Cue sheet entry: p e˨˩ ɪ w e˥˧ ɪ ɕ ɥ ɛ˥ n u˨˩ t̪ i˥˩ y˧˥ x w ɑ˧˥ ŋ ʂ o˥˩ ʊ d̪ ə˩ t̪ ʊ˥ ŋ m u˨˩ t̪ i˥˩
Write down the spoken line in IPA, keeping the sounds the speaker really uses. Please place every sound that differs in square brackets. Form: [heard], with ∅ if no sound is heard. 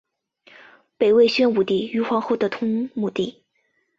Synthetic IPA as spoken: p e˨˩ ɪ w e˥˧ ɪ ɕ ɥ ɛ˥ n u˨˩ t̪ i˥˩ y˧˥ x w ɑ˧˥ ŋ [x] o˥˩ ʊ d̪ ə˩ [t̪ʰ] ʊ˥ ŋ m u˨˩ t̪ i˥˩